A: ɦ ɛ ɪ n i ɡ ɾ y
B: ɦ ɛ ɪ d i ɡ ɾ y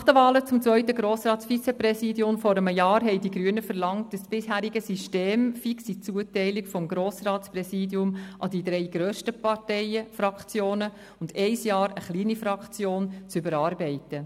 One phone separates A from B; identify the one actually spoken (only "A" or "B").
B